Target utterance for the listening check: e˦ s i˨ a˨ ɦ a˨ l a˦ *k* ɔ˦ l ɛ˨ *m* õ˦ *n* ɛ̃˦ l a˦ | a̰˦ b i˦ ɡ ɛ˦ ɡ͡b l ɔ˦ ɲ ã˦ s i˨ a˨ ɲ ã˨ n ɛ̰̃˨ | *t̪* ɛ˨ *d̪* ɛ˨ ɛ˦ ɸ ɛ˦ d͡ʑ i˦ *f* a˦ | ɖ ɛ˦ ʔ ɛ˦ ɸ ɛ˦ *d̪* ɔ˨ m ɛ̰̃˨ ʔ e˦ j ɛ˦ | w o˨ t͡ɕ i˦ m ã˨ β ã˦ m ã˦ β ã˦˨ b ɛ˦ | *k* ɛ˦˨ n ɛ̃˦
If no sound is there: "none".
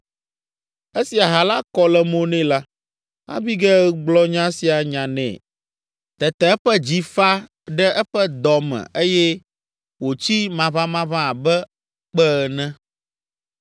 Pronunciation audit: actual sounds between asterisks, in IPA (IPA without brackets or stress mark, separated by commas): k, m, n, t̪, t̪, f, d̪, k͡p